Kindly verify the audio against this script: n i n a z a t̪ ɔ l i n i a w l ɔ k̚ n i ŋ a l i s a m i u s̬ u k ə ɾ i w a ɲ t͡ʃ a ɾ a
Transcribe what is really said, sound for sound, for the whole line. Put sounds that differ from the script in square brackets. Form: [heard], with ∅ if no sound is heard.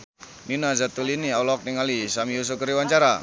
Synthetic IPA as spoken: n i n a z a t̪ [u] l i n i a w l ɔ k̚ n i ŋ a l i s a m i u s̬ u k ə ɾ i w a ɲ t͡ʃ a ɾ a